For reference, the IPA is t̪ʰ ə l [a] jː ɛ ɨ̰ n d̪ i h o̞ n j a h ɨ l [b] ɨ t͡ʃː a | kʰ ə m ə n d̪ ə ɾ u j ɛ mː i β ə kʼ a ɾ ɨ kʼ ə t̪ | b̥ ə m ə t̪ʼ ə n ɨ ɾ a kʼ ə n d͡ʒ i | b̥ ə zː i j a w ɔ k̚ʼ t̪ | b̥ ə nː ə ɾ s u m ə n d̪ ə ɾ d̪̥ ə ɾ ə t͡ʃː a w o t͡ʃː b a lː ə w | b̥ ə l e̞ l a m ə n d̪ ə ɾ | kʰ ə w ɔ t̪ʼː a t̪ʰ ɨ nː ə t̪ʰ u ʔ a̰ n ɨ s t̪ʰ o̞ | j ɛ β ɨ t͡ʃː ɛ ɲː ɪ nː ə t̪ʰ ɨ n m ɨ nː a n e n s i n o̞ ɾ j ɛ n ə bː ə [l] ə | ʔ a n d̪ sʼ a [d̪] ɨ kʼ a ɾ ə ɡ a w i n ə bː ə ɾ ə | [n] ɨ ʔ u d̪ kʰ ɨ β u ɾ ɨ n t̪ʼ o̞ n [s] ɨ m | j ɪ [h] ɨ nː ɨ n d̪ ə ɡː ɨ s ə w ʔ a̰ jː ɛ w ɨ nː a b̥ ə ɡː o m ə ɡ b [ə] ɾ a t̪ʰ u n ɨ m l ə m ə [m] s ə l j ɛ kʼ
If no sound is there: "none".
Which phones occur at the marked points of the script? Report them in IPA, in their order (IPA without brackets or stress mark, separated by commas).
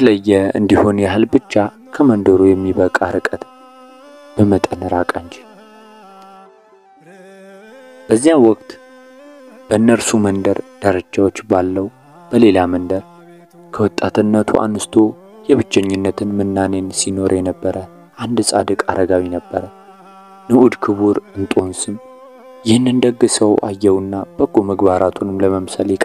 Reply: ə, b, ɾ, d̪, n, s, h, a, m